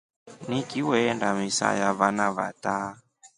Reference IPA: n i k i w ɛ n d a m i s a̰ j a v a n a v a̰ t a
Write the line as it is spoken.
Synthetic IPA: n i k i w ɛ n d a m i s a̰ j a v a n a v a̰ t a